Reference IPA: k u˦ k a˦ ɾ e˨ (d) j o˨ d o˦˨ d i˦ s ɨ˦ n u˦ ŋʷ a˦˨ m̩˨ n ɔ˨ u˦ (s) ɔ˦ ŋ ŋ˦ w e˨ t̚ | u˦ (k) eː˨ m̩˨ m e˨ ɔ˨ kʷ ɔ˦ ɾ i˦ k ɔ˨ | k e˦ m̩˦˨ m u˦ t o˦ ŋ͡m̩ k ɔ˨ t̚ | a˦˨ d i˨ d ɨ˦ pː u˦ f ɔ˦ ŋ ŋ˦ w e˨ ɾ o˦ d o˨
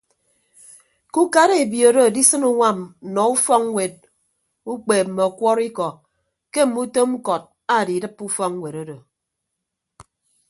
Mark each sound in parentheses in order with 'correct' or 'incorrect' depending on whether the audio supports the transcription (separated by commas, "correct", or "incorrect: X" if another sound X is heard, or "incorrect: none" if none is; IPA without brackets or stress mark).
incorrect: b, incorrect: f, incorrect: k͡p